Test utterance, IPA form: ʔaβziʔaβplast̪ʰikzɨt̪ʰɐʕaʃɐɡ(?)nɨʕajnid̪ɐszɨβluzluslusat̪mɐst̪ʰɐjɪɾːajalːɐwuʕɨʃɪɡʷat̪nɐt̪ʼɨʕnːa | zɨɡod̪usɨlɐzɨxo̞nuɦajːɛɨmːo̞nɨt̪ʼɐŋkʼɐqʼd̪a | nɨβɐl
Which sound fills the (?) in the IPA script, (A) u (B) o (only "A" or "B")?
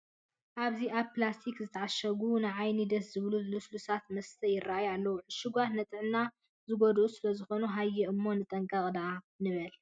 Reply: A